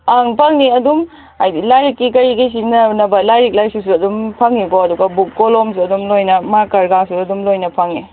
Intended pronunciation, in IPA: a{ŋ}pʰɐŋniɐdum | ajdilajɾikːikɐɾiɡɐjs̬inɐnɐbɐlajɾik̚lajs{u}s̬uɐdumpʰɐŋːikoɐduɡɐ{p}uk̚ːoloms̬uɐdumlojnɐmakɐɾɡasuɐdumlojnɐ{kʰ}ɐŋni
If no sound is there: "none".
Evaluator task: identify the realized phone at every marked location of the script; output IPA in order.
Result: ŋ, u, b, pʰ

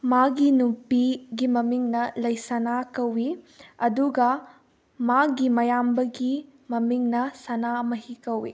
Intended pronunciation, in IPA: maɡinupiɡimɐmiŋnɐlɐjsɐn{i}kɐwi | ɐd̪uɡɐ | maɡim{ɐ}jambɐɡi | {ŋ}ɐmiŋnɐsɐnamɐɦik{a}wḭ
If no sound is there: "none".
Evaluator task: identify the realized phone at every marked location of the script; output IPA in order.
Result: a, ɐ, m, ɐ

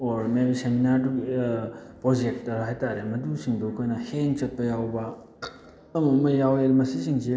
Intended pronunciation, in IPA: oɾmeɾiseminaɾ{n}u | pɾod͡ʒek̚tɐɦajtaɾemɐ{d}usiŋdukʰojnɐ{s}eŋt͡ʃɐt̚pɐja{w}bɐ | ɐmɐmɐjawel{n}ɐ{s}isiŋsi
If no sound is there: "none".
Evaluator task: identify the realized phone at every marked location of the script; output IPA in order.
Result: d, d, h, w, m, s

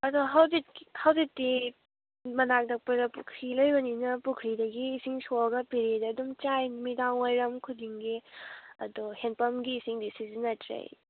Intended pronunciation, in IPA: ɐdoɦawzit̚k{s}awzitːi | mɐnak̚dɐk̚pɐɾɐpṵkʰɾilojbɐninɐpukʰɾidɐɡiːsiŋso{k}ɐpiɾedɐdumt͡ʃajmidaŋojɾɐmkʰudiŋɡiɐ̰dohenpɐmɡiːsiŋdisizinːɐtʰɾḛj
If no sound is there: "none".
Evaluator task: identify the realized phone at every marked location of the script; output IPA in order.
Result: h, ɡ

